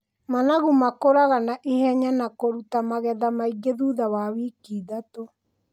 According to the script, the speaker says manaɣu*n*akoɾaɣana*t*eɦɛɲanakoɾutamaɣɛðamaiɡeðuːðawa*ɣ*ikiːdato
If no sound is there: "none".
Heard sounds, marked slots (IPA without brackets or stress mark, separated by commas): m, ʔ, w